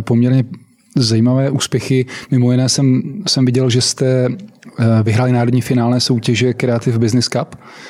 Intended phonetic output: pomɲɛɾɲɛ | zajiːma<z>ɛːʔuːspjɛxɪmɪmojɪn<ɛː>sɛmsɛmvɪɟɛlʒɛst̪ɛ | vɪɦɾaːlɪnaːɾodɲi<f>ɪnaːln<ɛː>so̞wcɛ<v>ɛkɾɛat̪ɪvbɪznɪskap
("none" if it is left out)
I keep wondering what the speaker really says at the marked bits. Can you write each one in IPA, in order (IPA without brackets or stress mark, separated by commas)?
v, ɛː, f, ɛː, ʒ